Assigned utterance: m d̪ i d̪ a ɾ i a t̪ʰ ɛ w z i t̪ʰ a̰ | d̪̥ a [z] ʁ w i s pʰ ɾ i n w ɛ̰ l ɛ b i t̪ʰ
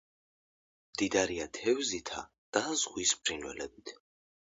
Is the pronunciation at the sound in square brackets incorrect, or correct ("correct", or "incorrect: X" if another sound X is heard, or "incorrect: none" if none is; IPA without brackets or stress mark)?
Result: correct